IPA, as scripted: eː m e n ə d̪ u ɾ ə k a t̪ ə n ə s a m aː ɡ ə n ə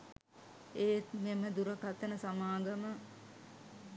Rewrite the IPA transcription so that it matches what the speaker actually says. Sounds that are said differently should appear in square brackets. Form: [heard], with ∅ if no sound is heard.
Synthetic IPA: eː m e [m] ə d̪ u ɾ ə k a t̪ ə n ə s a m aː ɡ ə [m] ə